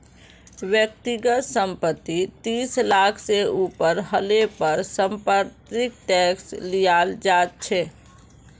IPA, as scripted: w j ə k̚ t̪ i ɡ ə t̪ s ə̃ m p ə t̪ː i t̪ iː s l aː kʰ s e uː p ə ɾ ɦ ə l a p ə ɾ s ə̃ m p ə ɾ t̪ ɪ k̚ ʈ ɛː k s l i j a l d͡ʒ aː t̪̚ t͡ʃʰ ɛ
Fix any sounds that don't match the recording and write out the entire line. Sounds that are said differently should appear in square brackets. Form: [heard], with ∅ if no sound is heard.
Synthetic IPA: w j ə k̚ t̪ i ɡ ə t̪ s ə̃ m p ə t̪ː i t̪ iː s l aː kʰ s e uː p ə ɾ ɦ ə l [e] p ə ɾ s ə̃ m p ə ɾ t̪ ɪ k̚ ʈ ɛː k s l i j a l d͡ʒ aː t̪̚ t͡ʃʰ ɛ